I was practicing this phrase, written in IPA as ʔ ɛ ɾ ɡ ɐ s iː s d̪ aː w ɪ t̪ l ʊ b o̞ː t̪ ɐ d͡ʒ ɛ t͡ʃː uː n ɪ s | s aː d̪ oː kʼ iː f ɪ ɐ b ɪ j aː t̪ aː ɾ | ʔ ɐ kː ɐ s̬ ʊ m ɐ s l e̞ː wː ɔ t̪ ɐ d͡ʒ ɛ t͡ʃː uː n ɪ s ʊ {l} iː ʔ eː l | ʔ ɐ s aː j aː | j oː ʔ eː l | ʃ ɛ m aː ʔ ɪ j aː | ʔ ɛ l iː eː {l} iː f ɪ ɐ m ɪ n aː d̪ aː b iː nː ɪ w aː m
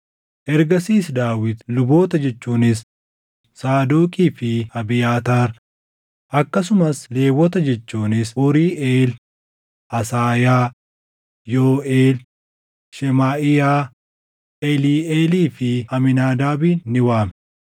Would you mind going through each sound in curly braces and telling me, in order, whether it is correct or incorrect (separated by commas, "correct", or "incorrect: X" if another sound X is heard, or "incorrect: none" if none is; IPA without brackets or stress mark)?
incorrect: ɾ, correct